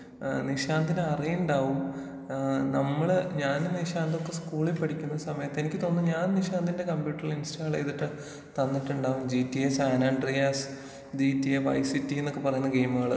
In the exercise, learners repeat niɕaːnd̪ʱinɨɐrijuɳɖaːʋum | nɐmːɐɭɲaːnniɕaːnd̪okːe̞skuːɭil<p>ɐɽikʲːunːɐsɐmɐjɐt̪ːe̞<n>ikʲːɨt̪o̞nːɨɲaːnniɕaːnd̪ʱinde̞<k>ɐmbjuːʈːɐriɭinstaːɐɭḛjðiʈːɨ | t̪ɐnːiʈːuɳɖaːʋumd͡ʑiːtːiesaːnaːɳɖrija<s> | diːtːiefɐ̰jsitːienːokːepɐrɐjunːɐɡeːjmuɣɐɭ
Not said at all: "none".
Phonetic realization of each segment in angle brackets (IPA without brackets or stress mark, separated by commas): p, n, k, s